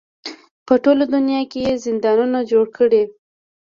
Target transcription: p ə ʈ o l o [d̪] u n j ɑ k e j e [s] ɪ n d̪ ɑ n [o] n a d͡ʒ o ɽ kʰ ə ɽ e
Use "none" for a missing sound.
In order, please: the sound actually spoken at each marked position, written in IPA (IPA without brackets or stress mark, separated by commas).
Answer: d̪, z, u